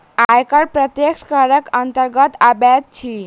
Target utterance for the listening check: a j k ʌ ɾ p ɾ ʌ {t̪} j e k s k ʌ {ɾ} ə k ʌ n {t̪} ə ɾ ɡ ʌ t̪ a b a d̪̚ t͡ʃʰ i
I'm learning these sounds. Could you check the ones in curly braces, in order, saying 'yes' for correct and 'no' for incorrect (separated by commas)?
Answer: yes, yes, yes